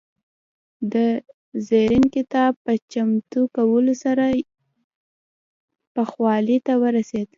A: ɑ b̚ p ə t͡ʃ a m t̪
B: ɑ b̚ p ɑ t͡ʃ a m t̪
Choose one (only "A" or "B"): A